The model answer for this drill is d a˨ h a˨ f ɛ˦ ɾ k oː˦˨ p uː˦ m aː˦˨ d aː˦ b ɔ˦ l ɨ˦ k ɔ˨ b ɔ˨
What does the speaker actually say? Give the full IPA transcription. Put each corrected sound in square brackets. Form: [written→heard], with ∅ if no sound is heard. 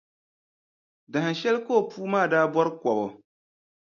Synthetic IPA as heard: d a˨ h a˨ [f→ʃ] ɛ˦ [ɾ→l] k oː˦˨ p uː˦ m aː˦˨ d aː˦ b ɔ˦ [l→ɾ] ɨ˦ k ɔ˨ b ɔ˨